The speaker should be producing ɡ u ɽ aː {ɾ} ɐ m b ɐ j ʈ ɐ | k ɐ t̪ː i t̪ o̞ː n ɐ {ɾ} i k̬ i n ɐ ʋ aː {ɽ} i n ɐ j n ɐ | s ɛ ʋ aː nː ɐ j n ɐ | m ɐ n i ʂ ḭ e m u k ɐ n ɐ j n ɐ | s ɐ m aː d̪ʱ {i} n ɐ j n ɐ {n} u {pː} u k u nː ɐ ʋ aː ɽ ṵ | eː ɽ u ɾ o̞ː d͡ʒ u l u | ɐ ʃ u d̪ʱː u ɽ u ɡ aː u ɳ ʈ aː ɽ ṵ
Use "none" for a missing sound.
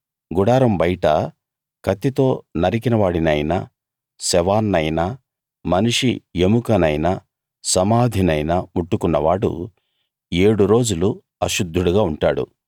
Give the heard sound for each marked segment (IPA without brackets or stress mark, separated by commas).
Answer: ɾ, ɾ, ɽ, i, m, ʈː